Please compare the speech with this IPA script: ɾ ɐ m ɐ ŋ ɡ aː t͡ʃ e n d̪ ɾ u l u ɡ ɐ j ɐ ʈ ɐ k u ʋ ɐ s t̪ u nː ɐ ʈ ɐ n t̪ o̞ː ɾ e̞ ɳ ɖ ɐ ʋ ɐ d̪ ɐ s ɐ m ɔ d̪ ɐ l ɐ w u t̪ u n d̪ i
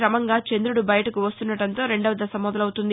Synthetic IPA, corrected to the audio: ɾ ɐ m ɐ ŋ ɡ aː t͡ʃ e n d̪ ɾ u ɽ u b ɐ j ɐ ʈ ɐ k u ʋ ɐ s t̪ u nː ɐ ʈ ɐ n t̪ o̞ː ɾ e̞ ɳ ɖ ɐ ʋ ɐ d̪ ɐ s ɐ m ɔ d̪ ɐ l ɐ w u t̪ u n d̪ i